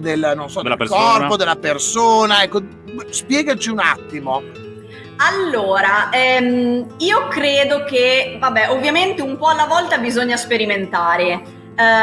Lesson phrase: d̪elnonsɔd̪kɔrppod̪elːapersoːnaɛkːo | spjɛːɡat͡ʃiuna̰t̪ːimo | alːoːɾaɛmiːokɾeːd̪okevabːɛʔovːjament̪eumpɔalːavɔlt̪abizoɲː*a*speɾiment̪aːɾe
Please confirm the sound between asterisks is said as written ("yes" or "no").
yes